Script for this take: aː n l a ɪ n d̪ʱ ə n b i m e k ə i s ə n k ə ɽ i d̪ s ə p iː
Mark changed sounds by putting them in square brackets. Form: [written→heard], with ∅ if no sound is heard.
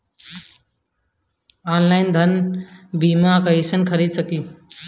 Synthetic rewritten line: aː n l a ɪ n d̪ʱ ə n b i m [e→a] k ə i s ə n [k→kʰ] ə [ɽ→ɾ] i d̪ s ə [p→k] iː